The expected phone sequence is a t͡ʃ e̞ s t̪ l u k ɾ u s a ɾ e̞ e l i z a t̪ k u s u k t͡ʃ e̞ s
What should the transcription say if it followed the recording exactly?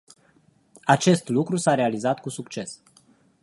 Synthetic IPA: a t͡ʃ e̞ s t̪ l u k ɾ u s a ɾ e̞ a l i z a t̪ k u s u k t͡ʃ e̞ s